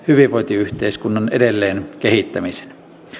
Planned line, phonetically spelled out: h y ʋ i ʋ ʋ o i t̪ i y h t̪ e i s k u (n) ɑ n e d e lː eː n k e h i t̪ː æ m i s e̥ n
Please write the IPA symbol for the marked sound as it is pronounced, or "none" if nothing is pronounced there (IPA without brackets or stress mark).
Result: nː